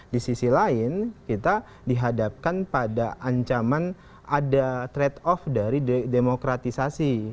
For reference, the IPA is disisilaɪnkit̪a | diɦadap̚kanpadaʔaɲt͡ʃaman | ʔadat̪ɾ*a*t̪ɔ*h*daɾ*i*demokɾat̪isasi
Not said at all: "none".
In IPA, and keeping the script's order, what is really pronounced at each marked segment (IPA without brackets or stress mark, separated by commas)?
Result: ɛ, f, i